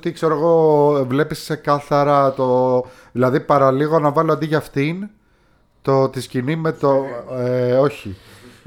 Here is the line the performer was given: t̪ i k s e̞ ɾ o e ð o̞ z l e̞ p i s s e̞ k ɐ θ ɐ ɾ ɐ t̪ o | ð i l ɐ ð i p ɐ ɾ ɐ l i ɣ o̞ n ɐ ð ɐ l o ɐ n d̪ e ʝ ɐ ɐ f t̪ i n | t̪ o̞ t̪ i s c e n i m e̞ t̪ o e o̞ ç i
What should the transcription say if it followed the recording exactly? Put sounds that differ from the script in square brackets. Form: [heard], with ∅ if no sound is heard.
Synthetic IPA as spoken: t̪ i k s e̞ ɾ o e [ɣ] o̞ [v] l e̞ p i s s e̞ k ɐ θ ɐ ɾ ɐ t̪ o | ð i l ɐ ð i p ɐ ɾ ɐ l i ɣ o̞ n ɐ [v] ɐ l o ɐ n d̪ [i] ʝ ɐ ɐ f t̪ i n | t̪ o̞ t̪ i s c [i] n i m e̞ t̪ o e o̞ ç i